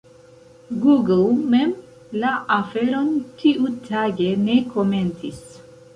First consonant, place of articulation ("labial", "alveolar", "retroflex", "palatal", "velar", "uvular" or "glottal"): velar